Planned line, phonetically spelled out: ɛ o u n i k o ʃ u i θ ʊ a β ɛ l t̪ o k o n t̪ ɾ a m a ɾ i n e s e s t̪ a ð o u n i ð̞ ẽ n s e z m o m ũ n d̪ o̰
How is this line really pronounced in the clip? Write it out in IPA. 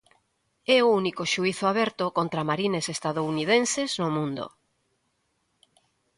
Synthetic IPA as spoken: ɛ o u n i k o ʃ u i θ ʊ a β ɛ ɾ t̪ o k o n t̪ ɾ a m a ɾ i n e s e s t̪ a ð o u n i ð̞ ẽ n s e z n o m ũ n d̪ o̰

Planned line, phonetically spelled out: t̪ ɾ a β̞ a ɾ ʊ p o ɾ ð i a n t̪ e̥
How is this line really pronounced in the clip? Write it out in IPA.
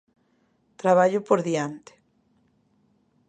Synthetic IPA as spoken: t̪ ɾ a β̞ a ʎ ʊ p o ɾ ð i a n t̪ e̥

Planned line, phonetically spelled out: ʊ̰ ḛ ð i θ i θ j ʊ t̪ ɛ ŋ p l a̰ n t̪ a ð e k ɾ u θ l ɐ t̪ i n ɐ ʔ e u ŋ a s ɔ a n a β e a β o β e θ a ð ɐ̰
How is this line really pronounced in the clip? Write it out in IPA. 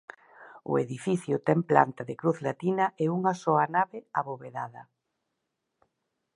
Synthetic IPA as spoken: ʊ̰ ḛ ð i f i θ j ʊ t̪ ɛ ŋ p l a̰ n t̪ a ð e k ɾ u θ l a t̪ i n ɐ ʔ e u ŋ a s ɔ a n a β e a β o β e ð a ð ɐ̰

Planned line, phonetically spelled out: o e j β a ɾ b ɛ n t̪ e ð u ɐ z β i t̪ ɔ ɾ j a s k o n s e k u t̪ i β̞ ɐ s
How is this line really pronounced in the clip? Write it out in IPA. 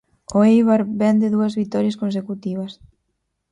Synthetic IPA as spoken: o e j β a ɾ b ɛ n d̪ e ð u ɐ z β i t̪ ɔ ɾ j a s k o n s e k u t̪ i β̞ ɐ s

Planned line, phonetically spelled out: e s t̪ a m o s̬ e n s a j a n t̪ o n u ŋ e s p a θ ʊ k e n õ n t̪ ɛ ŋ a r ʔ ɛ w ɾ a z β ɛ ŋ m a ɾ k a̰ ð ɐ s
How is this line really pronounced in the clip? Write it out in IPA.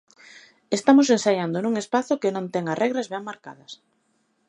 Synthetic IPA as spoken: e s t̪ a m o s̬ e n s a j a n d̪ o n u ŋ e s p a θ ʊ k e n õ n t̪ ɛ ŋ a r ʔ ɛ ɣ ɾ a z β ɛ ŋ m a ɾ k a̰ ð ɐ s

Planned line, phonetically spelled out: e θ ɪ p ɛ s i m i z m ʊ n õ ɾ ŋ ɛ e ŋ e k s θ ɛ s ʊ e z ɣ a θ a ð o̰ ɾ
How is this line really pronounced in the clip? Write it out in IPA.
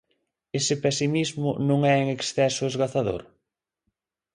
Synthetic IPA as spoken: e s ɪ p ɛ s i m i z m ʊ n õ ŋ ɛ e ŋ e k s θ ɛ s ʊ e z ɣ a θ a ð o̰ ɾ

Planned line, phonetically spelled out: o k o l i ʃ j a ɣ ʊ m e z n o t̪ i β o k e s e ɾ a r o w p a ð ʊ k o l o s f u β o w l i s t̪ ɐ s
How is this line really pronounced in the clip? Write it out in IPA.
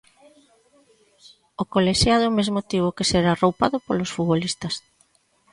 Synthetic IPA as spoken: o k o l e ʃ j a ð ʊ m e z m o t̪ i β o k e s e ɾ a r o w p a ð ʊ p o l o s f u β o l i s t̪ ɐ s

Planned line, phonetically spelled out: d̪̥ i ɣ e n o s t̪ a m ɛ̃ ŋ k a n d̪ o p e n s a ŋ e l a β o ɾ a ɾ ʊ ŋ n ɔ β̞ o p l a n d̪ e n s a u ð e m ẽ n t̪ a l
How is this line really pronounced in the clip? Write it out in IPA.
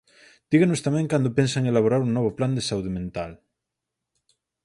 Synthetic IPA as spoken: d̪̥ i ɣ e n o s t̪ a m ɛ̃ ŋ k a n d̪ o p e n s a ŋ e l a β o ɾ a ɾ u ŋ n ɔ β̞ o p l a n d̪ e s a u ð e m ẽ n t̪ a l

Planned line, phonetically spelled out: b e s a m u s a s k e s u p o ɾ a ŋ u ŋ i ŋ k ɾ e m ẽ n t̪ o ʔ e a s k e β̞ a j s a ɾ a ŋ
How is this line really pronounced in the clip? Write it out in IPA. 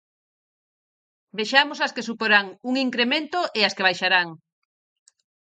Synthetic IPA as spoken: b e ʃ a m o s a s k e s u p o ɾ a ŋ u ŋ i ŋ k ɾ e m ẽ n t̪ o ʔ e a s k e β̞ a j ʃ a ɾ a ŋ

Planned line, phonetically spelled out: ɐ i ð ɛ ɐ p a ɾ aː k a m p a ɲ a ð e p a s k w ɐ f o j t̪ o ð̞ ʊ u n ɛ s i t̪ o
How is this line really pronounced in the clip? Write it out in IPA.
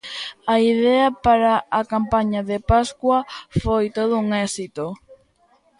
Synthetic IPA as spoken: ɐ i ð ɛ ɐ p a ɾ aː k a m p a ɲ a ð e p a s k w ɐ f o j t̪ o ð̞ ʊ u ŋ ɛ s i t̪ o

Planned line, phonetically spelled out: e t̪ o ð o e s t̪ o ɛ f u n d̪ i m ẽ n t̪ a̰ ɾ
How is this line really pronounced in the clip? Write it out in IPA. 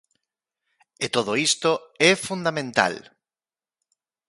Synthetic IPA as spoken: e t̪ o ð o i s t̪ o ɛ f u n d̪ a m ẽ n t̪ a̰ l

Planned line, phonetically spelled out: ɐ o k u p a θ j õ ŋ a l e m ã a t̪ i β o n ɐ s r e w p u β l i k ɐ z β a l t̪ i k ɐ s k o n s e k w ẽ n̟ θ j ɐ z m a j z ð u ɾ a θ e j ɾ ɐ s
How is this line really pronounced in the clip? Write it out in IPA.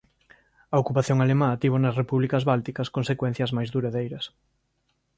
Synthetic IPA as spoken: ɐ o k u p a θ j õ ŋ a l e m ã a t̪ i β o n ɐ s r e p u β l i k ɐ z β a l t̪ i k ɐ s k o n s e k w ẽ n̟ θ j ɐ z m a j z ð u ɾ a ð e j ɾ ɐ s

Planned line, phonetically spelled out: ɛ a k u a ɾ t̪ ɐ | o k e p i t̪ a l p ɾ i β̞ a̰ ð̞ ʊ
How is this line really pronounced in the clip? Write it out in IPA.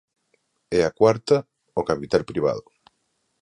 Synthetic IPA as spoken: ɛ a k w a ɾ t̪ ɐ | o k a p i t̪ a l p ɾ i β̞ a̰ ð̞ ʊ

